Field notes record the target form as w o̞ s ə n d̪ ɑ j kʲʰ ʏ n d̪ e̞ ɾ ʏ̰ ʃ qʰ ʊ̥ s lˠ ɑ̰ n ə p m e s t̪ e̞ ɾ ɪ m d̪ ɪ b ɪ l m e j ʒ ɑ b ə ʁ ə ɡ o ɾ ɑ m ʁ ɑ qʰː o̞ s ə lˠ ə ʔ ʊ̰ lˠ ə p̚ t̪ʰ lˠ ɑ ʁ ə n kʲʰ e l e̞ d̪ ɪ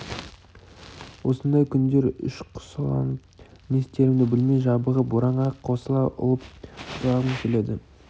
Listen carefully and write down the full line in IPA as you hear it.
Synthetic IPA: w o̞ s ə n d̪ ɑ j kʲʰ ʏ n d̪ e̞ ɾ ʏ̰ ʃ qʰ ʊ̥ s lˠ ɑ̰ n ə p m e s t̪ e̞ ɾ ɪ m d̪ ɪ b ɪ l m e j ʒ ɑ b ə ʁ ə b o ɾ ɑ ɴ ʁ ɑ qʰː o̞ s ə lˠ ɑ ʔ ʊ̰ lˠ ə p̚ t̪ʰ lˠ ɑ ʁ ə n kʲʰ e l e̞ d̪ ɪ